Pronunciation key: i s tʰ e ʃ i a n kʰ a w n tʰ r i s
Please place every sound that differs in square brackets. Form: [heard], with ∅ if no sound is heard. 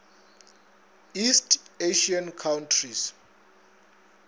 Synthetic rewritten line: i s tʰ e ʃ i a n kʰ a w n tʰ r i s